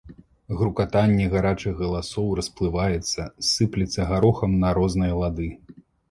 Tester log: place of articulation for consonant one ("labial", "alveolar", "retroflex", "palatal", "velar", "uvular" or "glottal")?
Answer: velar